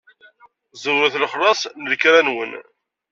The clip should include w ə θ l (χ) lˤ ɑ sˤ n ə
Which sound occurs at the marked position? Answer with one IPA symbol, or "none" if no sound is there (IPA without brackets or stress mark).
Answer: χ